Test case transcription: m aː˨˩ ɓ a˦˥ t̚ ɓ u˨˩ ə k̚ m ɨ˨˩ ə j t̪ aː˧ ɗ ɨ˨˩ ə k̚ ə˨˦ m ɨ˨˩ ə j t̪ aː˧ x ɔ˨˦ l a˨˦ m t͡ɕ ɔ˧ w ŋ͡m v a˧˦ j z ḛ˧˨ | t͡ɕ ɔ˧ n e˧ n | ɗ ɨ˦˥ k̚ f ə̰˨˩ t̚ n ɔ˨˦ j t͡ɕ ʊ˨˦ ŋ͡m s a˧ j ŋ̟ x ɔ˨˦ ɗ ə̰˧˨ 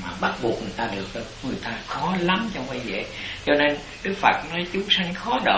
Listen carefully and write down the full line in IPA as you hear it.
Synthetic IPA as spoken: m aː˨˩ ɓ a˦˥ t̚ ɓ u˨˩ ə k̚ ŋ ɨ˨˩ ə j t̪ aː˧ ɗ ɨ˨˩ ə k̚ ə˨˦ ŋ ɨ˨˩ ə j t̪ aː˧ x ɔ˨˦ l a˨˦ m t͡ɕ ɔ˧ w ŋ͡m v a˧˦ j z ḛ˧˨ | t͡ɕ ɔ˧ n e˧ n | ɗ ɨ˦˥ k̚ f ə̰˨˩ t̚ n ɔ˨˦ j t͡ɕ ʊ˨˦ ŋ͡m s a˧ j ŋ̟ x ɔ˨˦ ɗ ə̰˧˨

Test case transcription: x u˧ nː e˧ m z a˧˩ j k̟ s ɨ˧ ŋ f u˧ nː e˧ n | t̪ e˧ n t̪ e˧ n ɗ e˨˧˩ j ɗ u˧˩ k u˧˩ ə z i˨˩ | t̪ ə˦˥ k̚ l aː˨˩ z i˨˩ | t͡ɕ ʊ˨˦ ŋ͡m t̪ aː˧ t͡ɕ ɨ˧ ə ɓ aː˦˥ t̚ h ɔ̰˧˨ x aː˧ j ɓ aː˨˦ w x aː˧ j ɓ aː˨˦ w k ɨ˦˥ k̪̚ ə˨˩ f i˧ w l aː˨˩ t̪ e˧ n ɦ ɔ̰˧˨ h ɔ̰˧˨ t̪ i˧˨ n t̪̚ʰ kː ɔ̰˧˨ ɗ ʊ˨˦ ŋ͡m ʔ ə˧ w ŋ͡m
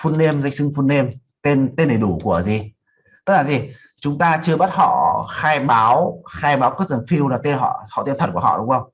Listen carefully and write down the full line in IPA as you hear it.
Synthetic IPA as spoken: f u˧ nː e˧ m z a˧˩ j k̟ s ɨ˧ ŋ f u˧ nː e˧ m | t̪ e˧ n t̪ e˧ n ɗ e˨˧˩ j ɗ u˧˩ k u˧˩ ə z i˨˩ | t̪ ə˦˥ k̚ l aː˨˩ z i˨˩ | t͡ɕ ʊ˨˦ ŋ͡m t̪ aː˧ t͡ɕ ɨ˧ ə ɓ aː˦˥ t̚ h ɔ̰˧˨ x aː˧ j ɓ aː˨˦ w x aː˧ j ɓ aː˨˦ w k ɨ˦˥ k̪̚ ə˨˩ f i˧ w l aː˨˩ t̪ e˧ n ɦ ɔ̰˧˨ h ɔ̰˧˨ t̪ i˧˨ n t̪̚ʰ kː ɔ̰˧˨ ɗ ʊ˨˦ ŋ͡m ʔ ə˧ w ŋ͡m

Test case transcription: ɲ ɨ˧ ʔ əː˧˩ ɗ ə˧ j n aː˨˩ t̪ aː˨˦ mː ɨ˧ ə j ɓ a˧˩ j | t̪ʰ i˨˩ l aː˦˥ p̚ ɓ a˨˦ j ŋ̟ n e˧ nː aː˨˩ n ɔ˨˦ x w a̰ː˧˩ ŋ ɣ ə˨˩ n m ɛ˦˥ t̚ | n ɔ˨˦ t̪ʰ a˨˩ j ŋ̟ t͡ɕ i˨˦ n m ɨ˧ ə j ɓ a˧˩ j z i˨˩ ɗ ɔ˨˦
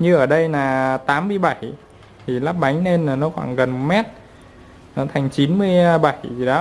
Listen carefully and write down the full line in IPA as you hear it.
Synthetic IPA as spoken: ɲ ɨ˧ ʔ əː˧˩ ɗ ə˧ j n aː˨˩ t̪ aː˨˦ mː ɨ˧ ə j ɓ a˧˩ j | t̪ʰ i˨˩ l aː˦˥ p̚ ɓ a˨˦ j ŋ̟ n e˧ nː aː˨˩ n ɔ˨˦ x w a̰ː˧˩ ŋ ɣ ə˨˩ n m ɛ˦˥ t̚ | n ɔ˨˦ t̪ʰ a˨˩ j ŋ̟ t͡ɕ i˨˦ n m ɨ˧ ə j ɓ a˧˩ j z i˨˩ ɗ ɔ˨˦

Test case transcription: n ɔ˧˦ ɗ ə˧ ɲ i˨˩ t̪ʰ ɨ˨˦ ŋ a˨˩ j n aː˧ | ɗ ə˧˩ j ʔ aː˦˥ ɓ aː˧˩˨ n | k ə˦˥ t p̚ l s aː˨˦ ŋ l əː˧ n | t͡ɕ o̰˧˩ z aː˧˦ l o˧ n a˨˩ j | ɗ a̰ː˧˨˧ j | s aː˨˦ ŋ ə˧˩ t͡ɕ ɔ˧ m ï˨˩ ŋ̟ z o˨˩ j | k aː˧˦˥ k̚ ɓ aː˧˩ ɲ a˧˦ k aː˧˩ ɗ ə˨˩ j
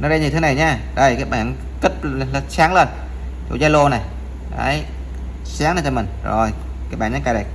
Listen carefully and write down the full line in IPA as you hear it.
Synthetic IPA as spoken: n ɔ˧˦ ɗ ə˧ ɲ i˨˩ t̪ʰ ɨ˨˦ n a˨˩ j ɲ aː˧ | ɗ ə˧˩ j k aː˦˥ ɓ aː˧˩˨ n | k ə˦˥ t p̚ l s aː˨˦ ŋ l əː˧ n | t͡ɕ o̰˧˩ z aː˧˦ l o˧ n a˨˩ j | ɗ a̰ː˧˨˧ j | s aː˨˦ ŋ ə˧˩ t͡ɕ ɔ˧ m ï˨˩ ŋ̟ z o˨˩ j | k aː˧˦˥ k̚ ɓ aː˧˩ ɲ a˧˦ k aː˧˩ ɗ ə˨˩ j

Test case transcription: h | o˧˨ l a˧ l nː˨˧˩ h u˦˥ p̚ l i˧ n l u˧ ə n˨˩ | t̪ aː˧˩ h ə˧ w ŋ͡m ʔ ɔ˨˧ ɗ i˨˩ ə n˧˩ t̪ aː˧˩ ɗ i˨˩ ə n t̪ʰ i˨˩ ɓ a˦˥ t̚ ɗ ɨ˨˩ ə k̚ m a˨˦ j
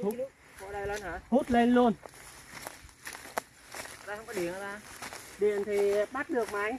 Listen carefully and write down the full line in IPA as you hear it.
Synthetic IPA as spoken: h | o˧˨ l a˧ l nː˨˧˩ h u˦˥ t̚ l e˧ n l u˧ ə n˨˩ | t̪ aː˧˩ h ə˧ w ŋ͡m k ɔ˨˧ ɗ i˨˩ ə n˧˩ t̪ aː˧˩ ɗ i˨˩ ə n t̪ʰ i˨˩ ɓ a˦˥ t̚ ɗ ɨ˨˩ ə k̚ m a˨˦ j

